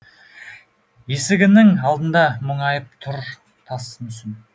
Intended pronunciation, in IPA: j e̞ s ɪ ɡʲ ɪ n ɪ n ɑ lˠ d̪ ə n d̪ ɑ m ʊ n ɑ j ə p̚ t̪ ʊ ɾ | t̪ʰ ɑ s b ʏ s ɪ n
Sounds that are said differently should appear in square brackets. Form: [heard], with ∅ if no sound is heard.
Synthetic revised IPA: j e̞ s ɪ ɡʲ ɪ n ɪ [ŋ] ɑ lˠ d̪ ə n d̪ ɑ m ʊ [ɴ] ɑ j ə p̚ [t̪ʰ] ʊ ɾ | t̪ʰ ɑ s [m] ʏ s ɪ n